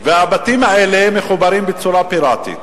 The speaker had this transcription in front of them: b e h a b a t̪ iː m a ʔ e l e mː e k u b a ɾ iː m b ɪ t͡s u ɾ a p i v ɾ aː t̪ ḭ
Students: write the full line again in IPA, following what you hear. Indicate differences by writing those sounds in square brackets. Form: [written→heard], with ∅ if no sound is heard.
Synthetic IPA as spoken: [b→v] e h a b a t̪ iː m a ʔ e l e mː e [k→x] u b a ɾ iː m b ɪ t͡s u ɾ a p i [v→∅] ɾ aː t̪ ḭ